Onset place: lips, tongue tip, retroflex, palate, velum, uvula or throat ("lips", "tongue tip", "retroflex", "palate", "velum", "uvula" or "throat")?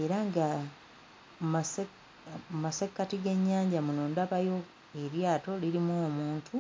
tongue tip